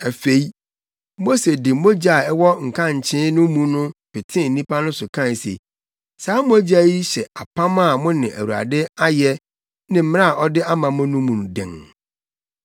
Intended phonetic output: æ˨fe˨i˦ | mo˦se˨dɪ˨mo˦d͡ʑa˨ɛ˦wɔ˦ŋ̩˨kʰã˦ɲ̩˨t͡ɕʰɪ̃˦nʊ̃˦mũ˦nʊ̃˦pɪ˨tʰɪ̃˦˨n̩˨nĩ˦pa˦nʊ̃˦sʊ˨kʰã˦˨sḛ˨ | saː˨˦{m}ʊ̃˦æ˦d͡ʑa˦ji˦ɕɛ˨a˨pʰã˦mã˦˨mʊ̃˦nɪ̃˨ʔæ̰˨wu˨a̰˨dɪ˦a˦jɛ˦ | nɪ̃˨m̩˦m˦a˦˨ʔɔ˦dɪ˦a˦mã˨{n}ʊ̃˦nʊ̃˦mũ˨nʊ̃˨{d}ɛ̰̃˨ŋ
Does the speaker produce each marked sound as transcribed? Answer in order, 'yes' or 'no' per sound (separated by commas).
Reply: yes, no, yes